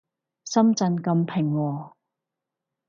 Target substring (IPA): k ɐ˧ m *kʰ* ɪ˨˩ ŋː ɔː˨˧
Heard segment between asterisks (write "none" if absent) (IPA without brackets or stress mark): pʰ